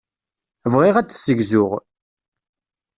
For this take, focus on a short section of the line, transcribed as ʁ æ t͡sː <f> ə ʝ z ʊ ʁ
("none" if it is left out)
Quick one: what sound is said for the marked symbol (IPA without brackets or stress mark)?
s